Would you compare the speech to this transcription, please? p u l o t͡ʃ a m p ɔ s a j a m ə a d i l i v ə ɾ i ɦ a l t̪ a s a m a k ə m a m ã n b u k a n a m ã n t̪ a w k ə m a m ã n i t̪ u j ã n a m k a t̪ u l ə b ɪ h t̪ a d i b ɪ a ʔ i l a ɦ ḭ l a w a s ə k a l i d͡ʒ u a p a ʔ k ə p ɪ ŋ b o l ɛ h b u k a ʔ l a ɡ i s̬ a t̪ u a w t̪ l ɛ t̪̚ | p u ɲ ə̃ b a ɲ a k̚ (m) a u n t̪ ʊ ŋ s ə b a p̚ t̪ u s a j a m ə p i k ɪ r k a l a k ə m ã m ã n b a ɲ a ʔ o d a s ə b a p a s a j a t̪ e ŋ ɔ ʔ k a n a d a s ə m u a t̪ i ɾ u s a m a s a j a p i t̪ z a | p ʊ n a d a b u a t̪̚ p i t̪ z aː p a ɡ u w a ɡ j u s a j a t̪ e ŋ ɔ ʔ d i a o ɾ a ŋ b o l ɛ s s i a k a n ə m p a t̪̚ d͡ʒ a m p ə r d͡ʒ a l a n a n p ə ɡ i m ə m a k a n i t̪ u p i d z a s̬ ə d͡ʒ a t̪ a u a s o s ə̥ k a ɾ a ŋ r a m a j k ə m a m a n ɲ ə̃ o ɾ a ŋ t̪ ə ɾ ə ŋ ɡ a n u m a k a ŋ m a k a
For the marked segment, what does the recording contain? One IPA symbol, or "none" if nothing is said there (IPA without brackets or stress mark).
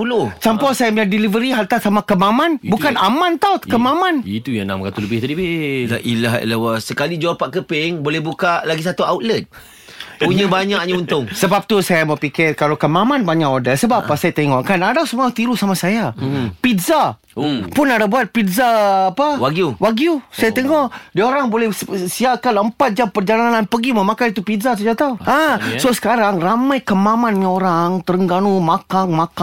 ɲ